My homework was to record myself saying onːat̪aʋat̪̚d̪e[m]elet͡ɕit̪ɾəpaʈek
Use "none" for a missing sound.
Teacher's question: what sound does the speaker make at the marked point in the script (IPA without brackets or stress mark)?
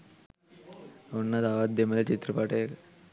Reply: m